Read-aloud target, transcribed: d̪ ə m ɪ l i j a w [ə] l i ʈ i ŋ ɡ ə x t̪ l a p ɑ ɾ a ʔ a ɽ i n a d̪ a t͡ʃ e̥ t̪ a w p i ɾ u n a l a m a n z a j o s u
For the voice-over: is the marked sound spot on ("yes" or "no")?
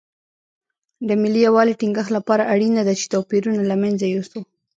no